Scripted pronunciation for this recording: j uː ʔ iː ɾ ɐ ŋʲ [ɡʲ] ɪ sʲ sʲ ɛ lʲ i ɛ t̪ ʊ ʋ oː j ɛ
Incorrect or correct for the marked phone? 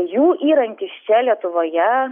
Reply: incorrect: kʲ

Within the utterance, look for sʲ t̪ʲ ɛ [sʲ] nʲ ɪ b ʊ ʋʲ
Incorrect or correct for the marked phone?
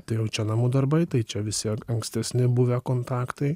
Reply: correct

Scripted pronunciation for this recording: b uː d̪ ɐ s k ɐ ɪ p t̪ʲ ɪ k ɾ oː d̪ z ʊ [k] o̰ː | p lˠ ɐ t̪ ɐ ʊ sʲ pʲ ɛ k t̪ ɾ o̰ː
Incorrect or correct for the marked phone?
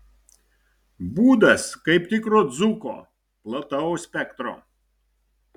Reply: correct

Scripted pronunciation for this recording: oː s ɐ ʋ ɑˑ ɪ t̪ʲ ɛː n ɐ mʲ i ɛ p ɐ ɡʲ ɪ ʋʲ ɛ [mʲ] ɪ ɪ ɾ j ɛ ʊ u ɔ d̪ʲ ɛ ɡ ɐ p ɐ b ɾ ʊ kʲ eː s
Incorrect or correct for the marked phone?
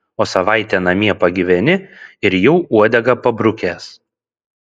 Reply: incorrect: nʲ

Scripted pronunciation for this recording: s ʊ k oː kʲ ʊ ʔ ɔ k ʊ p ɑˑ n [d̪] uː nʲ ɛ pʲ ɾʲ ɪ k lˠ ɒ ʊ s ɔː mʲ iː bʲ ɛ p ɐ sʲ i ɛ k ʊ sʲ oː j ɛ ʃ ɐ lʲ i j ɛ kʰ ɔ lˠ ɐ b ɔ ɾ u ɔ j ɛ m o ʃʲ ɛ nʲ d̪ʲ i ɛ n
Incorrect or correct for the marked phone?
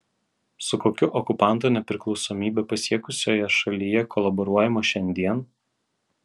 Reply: incorrect: t̪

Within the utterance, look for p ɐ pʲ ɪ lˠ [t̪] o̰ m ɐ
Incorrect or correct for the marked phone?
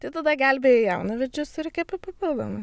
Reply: incorrect: d̪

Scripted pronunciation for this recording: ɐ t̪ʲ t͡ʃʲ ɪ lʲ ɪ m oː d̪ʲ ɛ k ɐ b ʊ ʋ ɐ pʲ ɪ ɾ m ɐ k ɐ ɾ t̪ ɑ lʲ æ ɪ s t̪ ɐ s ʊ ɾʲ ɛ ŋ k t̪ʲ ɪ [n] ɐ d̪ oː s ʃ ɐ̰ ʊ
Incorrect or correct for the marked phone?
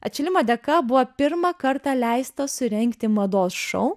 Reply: incorrect: m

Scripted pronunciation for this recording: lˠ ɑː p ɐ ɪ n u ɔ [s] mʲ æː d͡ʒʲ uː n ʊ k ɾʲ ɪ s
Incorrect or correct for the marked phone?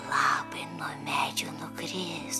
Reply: incorrect: none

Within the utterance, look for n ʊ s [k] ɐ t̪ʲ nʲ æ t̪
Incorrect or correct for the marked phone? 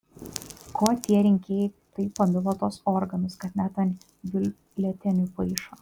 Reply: correct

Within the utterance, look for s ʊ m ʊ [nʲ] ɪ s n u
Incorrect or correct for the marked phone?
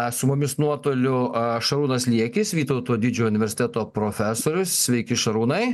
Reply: incorrect: mʲ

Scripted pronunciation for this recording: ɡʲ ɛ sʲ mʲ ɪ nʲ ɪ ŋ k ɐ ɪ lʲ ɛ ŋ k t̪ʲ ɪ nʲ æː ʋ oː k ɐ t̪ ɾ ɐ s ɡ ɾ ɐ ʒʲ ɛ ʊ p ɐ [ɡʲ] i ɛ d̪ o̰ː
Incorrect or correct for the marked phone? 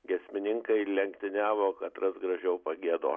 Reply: correct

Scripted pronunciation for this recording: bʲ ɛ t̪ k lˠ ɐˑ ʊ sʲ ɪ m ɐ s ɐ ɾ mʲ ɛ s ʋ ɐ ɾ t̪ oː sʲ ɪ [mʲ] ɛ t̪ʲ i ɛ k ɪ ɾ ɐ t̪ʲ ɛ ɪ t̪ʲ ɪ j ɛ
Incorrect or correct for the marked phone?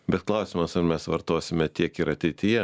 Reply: correct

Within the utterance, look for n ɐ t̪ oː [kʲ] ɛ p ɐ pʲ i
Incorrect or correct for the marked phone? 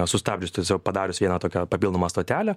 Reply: correct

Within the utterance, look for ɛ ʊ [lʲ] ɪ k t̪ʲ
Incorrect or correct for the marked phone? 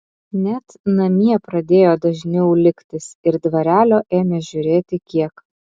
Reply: correct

